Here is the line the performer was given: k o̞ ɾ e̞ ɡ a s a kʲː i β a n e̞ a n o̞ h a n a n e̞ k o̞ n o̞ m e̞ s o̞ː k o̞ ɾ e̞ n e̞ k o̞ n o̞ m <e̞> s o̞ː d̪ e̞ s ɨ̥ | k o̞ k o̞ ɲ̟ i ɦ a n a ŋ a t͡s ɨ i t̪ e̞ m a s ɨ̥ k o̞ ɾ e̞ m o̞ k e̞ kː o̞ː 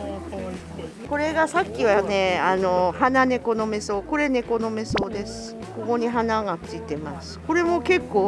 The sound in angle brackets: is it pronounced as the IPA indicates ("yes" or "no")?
yes